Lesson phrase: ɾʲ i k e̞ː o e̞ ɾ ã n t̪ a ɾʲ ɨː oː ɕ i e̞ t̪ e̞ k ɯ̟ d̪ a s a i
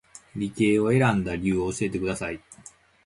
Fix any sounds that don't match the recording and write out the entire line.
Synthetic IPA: ɾʲ i k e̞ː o e̞ ɾ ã n d̪ a ɾʲ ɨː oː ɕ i e̞ t̪ e̞ k ɯ̟ d̪ a s a i